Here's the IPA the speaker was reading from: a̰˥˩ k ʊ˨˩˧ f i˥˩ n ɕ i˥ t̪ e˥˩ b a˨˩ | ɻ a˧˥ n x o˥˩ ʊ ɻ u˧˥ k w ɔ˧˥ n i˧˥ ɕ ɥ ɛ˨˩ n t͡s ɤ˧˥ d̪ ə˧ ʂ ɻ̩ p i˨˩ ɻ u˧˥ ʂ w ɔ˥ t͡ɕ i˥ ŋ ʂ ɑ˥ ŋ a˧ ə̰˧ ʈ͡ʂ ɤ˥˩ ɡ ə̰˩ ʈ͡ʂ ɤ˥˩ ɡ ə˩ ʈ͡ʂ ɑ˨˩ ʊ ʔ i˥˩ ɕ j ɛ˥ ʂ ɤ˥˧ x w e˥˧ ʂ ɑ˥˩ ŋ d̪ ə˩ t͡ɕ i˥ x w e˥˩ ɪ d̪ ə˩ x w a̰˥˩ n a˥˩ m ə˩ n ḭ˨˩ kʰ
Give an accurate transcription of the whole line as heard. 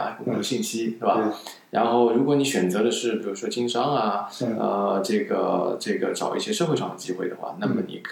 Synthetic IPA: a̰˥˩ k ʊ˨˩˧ ɕ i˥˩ n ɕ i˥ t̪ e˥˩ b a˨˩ | ɻ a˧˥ n x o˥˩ ʊ ɻ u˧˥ k w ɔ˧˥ n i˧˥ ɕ ɥ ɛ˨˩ n t͡s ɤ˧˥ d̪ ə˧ ʂ ɻ̩ p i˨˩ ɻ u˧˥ ʂ w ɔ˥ t͡ɕ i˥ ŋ ʂ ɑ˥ ŋ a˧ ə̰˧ ʈ͡ʂ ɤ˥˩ ɡ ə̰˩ ʈ͡ʂ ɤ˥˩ ɡ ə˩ ʈ͡ʂ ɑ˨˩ ʊ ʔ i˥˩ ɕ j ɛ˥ ʂ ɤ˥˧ x w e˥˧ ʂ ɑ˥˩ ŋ d̪ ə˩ t͡ɕ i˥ x w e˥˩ ɪ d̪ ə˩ x w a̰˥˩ n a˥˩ m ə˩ n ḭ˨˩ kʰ